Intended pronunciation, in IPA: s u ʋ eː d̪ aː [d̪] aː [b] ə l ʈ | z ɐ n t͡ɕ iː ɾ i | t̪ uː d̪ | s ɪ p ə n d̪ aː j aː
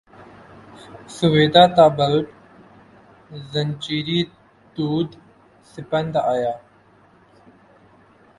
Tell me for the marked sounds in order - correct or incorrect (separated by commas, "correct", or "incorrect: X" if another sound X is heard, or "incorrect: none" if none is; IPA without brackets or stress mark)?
incorrect: t̪, correct